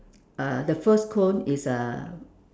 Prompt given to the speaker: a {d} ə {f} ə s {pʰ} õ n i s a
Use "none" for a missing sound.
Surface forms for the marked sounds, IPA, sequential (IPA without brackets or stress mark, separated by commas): d, f, kʰ